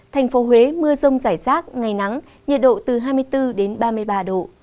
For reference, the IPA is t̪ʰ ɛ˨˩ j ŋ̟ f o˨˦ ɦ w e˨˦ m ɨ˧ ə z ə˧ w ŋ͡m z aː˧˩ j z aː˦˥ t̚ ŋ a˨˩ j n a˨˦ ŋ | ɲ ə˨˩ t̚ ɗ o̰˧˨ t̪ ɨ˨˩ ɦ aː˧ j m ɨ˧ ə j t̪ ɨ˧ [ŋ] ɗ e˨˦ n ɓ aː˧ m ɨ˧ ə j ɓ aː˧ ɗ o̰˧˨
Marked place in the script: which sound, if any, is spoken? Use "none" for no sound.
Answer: none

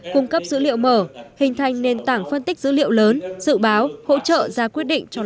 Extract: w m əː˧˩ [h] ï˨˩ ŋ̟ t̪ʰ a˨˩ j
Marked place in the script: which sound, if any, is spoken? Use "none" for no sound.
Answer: h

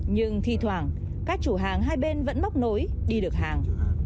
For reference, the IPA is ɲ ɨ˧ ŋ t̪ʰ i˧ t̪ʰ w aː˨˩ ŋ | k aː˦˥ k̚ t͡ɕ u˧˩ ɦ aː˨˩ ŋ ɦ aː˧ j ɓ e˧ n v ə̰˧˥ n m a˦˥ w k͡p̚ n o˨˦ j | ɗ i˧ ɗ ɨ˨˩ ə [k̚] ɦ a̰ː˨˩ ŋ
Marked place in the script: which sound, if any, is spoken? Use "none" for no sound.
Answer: k̚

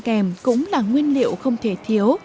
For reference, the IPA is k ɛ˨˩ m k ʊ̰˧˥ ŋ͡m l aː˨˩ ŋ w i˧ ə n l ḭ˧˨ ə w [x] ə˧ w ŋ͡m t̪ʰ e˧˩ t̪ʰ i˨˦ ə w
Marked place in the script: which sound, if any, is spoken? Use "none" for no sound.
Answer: x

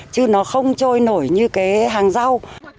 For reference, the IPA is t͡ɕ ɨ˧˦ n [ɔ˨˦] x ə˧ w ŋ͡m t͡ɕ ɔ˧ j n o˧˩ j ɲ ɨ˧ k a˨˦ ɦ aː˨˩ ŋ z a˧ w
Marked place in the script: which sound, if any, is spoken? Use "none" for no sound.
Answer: ɔ˨˦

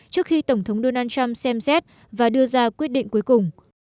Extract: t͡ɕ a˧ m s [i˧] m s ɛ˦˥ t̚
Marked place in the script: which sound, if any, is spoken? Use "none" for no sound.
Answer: ɛ˧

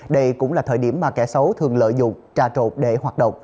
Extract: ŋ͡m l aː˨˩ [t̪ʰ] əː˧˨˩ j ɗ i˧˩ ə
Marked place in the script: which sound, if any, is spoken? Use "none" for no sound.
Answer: t̪ʰ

